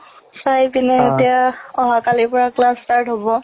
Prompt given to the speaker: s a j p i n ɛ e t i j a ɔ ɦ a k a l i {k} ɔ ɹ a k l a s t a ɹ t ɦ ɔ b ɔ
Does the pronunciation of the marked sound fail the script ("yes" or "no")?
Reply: yes